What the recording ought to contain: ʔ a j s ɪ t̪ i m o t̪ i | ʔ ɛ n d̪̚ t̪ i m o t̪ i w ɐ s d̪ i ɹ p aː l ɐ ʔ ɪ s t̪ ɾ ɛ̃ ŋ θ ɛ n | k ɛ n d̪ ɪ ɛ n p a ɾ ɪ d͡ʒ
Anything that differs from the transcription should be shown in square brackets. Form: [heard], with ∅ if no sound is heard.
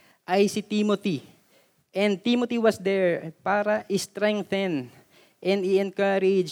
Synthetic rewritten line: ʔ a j s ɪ t̪ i m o t̪ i | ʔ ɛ n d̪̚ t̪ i m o t̪ i w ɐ s d̪ [ɛ] ɹ p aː [ɾ] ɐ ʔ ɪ s t̪ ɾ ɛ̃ ŋ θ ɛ n | [ʔ] ɛ n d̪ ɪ ɛ n [k] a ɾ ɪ d͡ʒ